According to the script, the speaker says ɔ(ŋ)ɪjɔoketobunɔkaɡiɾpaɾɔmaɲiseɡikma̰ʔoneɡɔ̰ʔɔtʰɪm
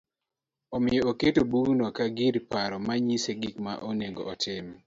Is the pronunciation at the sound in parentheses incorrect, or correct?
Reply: incorrect